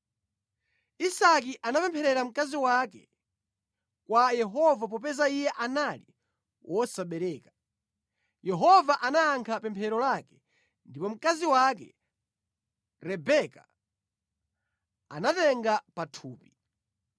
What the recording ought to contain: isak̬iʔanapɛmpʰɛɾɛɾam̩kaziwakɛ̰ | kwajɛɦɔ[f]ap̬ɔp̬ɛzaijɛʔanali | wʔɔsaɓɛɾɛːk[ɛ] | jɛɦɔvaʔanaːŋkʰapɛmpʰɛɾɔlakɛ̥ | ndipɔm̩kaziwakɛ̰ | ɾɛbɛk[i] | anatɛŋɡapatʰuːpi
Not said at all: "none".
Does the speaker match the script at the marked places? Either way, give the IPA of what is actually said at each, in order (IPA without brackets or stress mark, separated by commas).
v, a, a